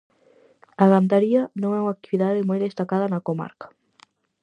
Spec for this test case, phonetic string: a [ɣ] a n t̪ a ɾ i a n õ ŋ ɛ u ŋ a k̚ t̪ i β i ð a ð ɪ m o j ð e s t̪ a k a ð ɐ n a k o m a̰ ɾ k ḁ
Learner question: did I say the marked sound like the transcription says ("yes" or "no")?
yes